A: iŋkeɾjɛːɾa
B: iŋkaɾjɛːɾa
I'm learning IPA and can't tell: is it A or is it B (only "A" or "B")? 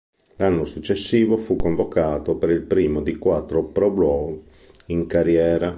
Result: B